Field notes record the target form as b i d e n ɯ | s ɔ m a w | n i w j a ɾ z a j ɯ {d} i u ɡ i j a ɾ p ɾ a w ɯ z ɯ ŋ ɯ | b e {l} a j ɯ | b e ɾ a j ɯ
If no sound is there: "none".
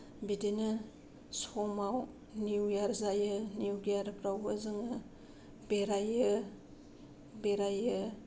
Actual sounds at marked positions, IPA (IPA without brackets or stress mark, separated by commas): n, ɾ